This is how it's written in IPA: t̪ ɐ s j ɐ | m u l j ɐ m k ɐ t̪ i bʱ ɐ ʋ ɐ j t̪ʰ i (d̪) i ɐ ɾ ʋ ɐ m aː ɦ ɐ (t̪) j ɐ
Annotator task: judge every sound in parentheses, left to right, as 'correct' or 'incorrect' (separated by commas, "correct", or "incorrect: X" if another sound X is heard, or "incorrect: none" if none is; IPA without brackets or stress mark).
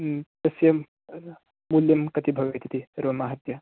incorrect: t̪, correct